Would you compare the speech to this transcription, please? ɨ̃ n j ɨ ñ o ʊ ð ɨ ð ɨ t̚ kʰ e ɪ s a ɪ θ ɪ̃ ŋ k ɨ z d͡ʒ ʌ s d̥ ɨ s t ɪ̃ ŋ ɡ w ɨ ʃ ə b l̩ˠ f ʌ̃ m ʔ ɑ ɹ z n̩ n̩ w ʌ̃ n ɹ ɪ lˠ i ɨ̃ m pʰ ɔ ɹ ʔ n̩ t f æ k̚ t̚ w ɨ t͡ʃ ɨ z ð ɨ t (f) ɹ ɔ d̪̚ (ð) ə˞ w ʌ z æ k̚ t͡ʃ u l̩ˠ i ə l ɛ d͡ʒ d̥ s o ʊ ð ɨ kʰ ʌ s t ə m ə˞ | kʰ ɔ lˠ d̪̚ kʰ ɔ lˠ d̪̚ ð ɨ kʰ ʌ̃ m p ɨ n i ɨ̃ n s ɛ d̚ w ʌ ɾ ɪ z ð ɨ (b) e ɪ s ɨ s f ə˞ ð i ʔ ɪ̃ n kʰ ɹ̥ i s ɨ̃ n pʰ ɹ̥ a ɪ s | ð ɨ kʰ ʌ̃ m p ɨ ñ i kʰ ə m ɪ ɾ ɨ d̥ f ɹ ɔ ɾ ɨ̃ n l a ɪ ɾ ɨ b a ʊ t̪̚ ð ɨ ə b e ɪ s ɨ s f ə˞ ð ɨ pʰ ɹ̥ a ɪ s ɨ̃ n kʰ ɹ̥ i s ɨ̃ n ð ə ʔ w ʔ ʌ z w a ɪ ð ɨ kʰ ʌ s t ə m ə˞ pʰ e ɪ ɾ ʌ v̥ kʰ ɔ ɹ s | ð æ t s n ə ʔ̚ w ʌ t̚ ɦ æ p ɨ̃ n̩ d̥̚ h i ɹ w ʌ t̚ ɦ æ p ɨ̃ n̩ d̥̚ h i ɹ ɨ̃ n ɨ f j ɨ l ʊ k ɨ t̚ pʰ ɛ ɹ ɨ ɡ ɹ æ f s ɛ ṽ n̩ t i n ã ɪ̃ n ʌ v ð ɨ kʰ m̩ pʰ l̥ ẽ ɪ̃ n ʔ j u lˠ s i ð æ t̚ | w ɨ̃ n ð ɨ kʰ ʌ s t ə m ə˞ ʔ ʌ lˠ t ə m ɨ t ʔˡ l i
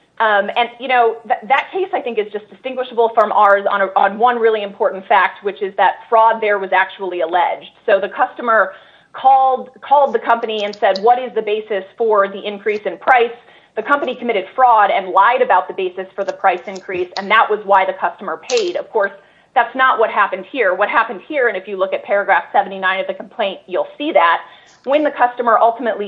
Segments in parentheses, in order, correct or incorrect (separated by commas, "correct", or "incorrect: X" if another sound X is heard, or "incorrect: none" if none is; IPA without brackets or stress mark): correct, correct, correct